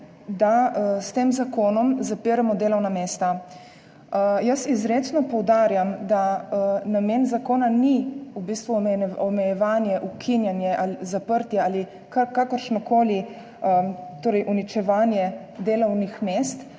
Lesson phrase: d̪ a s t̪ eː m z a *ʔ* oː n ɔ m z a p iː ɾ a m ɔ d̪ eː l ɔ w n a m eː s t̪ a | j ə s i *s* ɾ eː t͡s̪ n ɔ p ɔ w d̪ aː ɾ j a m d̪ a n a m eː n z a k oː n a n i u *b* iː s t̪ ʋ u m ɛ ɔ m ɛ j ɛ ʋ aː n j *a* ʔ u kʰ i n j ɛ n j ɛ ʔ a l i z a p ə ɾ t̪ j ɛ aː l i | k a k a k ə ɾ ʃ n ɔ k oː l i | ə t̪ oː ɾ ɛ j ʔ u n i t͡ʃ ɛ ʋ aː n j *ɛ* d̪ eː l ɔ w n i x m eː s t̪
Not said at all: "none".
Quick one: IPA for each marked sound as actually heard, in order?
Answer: k, z, b, ɛ, ɛ

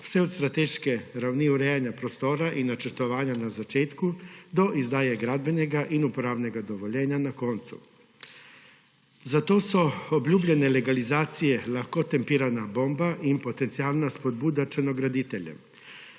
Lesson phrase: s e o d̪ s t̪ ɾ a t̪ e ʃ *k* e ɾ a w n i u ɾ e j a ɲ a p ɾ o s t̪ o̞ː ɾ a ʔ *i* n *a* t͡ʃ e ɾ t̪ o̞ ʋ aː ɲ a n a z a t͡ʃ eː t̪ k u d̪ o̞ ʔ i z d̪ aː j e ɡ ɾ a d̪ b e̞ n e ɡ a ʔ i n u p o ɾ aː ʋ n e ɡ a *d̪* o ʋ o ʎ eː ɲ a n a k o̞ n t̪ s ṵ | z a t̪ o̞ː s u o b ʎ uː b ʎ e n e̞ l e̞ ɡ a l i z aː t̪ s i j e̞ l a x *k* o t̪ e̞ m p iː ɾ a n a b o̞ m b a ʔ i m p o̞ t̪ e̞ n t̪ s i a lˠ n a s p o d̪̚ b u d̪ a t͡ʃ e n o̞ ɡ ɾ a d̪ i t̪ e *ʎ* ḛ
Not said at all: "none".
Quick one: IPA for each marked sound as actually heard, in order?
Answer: k, i, a, d̪, k, ʎ

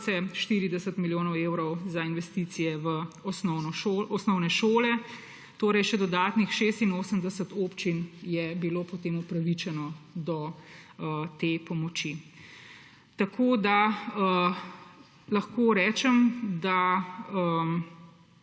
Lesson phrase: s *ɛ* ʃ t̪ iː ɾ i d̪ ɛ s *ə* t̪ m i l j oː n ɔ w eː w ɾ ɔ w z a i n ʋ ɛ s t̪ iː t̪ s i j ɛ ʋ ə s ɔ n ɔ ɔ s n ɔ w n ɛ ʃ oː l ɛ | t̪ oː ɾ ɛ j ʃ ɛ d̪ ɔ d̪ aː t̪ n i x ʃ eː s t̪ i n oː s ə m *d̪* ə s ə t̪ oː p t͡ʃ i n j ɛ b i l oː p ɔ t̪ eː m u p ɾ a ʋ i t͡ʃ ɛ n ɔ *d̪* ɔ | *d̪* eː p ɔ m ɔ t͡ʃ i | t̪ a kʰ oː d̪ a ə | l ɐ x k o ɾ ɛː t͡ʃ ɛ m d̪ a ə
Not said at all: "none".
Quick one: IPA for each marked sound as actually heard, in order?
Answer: ɛ, ə, d̪, d̪, t̪

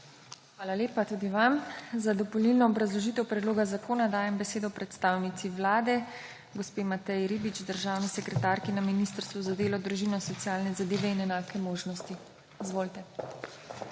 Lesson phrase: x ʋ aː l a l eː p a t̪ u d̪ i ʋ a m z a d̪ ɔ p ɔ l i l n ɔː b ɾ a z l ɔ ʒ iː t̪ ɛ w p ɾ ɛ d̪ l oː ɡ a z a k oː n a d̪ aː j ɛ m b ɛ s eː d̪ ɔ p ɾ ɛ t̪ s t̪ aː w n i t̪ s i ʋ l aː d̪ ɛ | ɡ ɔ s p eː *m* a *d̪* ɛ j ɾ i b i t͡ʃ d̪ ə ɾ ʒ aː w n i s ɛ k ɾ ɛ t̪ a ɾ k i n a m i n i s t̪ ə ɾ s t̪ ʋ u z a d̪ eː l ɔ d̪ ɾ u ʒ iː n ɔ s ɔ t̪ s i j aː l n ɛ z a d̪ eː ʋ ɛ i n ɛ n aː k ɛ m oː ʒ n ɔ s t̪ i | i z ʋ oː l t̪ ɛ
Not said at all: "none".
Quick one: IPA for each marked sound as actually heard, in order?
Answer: m, t̪

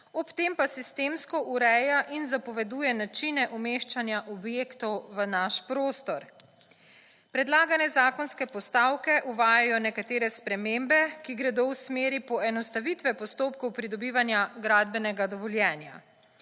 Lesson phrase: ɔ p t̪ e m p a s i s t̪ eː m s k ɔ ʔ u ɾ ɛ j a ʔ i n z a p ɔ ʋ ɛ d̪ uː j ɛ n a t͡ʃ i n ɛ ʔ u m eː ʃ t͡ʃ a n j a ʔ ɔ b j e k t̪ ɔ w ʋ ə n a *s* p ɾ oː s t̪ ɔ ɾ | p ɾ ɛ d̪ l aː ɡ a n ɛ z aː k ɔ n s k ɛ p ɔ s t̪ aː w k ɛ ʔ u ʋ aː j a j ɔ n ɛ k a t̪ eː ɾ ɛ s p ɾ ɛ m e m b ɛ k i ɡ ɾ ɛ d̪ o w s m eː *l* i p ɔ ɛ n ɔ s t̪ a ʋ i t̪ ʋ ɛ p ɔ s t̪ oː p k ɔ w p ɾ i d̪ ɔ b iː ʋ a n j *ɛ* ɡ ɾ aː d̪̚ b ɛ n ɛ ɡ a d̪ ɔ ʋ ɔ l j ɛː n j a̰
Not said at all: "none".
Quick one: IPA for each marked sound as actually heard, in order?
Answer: ʃ, ɾ, a

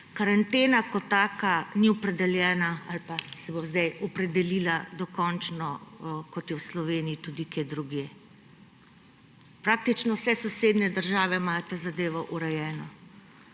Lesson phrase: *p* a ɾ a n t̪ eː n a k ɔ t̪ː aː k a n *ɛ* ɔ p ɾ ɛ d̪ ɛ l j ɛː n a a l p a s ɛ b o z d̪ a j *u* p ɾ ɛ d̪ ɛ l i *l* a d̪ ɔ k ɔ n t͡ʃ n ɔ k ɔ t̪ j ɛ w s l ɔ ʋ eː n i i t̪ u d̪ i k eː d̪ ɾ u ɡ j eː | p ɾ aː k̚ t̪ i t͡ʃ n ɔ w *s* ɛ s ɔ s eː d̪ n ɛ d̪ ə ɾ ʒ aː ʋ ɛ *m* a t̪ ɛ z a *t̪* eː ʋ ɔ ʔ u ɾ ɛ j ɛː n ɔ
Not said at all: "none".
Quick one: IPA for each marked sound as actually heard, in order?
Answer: k, i, ɔ, l, s, m, d̪

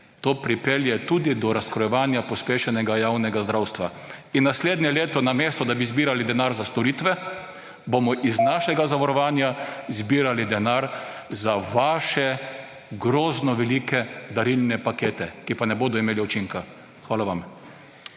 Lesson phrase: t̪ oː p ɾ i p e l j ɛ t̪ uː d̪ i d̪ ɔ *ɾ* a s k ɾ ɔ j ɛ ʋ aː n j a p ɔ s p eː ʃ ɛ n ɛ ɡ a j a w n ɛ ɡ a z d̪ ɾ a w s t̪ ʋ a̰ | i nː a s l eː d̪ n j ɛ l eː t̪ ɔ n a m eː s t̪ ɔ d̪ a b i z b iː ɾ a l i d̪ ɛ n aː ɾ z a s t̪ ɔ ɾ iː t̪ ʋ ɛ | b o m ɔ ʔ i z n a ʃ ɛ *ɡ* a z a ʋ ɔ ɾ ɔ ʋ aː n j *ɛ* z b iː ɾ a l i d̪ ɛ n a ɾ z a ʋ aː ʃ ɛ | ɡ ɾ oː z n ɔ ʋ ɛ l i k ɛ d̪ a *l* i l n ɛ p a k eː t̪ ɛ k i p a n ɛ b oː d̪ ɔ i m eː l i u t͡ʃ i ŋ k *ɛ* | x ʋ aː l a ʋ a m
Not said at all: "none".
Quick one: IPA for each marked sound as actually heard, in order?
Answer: ɾ, ɡ, a, ɾ, a

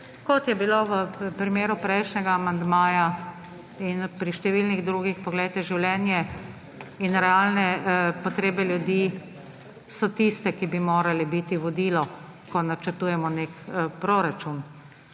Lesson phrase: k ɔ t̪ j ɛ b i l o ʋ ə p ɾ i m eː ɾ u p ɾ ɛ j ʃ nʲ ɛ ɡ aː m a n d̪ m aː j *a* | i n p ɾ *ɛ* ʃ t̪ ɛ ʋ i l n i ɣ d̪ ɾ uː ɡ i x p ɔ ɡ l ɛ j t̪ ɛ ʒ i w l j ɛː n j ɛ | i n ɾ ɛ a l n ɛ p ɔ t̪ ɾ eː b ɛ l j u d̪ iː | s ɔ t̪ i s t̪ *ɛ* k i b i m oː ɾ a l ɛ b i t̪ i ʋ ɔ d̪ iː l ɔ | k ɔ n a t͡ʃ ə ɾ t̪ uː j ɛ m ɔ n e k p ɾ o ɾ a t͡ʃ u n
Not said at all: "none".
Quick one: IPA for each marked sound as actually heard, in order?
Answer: a, i, ɛ

